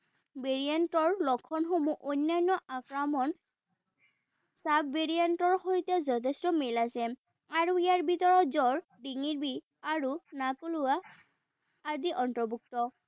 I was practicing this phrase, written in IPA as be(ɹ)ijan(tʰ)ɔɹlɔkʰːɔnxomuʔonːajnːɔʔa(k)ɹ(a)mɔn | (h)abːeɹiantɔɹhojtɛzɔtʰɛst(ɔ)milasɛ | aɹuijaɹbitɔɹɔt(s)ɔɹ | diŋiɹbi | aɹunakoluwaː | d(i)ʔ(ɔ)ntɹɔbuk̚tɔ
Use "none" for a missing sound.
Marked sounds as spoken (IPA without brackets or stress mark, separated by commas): ɹ, t, k, a, s, ɔ, z, i, ɔ